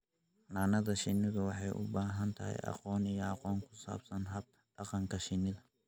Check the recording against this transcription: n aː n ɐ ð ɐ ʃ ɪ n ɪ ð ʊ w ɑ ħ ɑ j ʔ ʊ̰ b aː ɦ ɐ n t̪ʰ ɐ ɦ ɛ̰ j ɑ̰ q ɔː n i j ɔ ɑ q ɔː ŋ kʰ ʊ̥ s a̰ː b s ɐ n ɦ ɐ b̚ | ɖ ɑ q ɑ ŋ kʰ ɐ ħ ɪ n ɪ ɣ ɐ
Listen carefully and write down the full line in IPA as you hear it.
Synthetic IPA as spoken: n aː n ɐ ð ɐ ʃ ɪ n ɪ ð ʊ w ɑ ħ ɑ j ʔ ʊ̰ b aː ɦ ɐ n t̪ʰ ɐ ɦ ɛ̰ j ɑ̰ q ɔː n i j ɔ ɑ q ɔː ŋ kʰ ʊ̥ s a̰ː b s ɐ n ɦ ɐ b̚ | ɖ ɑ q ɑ ŋ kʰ ɐ ʃ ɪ n ɪ ð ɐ